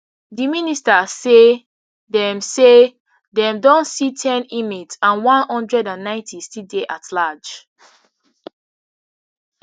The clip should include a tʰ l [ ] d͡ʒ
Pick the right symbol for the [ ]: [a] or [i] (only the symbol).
a